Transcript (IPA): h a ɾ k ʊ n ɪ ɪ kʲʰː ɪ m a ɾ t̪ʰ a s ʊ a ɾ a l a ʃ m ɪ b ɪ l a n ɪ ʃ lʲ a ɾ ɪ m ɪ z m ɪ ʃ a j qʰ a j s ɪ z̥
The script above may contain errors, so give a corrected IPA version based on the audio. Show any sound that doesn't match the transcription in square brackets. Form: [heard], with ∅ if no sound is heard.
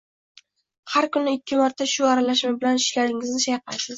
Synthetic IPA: h a ɾ k ʊ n ɪ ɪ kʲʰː ɪ m a ɾ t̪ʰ a [ʃ] ʊ a ɾ a l a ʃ m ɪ b ɪ l a n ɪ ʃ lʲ a ɾ ɪ [ŋ] ɪ z [n] ɪ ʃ a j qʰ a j s ɪ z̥